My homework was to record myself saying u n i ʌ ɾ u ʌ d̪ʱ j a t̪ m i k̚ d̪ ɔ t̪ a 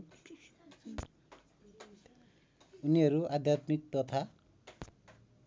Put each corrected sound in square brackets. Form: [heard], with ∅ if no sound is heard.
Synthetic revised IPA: u n i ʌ ɾ u [a] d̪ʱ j a t̪ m i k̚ [t̪] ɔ [t̪ʰ] a

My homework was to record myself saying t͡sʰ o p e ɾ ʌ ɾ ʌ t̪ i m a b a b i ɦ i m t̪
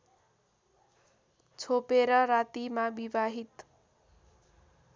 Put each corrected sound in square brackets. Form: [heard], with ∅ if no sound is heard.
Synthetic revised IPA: t͡sʰ o p e ɾ ʌ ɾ [a] t̪ i m a b [i] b [a] ɦ i [∅] t̪

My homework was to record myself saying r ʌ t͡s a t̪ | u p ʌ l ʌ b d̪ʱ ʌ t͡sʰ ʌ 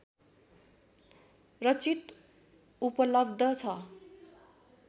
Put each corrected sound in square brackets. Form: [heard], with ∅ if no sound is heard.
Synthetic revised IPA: r ʌ t͡s [i] t̪ | u p ʌ l ʌ b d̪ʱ ʌ t͡sʰ ʌ

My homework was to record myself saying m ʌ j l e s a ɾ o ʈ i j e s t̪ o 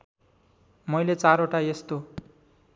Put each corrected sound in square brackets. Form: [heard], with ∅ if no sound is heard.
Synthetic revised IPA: m ʌ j l e [t͡s] a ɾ o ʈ [a] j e s t̪ o

